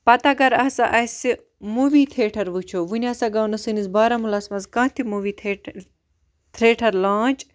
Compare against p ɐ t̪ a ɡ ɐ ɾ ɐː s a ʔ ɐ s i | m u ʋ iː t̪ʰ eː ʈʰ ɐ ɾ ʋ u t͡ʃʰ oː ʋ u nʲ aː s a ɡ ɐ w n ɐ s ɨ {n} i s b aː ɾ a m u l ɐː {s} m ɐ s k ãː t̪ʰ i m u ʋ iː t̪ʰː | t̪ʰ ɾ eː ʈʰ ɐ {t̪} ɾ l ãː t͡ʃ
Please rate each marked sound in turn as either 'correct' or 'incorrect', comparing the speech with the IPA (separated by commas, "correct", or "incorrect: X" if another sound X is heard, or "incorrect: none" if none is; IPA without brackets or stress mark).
correct, correct, incorrect: none